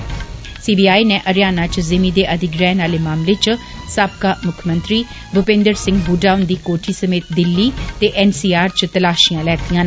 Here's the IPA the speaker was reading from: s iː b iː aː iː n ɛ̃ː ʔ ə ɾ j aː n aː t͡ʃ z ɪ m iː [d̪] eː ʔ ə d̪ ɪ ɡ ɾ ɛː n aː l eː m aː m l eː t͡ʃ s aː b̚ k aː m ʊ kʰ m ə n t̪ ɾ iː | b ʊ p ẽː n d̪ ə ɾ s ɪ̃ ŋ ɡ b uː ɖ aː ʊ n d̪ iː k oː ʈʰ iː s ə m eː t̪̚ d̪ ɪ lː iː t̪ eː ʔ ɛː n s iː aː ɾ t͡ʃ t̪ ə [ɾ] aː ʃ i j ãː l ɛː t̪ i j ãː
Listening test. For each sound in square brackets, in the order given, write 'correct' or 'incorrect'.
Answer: correct, incorrect: l

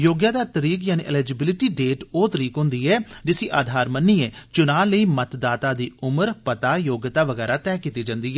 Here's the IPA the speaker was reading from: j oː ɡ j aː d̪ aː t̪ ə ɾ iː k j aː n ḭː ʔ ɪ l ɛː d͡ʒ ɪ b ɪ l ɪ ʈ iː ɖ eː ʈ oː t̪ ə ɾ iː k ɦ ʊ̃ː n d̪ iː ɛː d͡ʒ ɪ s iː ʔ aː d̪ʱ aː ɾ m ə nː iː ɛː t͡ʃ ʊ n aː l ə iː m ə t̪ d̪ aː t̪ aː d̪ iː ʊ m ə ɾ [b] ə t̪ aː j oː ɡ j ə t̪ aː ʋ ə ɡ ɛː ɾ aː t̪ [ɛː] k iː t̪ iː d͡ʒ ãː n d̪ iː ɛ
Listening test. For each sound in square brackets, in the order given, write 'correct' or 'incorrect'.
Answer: incorrect: p, correct

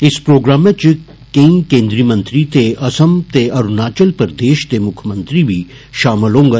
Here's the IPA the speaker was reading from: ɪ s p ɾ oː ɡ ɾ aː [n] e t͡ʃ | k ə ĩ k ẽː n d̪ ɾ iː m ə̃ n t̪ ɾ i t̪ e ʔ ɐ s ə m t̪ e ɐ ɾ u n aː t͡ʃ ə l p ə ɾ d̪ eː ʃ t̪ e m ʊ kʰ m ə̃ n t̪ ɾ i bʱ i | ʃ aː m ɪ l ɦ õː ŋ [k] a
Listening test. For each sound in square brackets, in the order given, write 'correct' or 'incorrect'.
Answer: incorrect: m, incorrect: ɡ

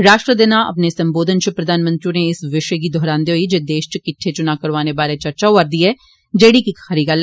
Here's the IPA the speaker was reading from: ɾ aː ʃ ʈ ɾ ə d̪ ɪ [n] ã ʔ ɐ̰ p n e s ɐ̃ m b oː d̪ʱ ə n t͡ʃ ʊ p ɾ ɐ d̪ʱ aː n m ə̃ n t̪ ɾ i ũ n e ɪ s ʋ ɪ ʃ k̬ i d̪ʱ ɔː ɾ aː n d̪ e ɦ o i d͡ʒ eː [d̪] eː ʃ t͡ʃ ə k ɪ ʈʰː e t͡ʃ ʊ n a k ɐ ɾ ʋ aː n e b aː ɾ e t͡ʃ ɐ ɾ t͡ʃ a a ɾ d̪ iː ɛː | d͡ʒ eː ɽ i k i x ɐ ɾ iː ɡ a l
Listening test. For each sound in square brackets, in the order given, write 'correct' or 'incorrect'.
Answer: correct, correct

